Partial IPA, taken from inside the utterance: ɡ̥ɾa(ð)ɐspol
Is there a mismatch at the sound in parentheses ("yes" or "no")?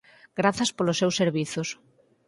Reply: yes